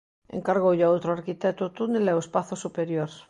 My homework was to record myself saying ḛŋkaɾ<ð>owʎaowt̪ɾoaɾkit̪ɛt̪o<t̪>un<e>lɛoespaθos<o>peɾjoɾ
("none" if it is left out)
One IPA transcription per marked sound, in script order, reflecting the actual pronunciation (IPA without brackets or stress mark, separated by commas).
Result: ɣ, t̪, e, u